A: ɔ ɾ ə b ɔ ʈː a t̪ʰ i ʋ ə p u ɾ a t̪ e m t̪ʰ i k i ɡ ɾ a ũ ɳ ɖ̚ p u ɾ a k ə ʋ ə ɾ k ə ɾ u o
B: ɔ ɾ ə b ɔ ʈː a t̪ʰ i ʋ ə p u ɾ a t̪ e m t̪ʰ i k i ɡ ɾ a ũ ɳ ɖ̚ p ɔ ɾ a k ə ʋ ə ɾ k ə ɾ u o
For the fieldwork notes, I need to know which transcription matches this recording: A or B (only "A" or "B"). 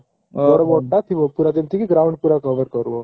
A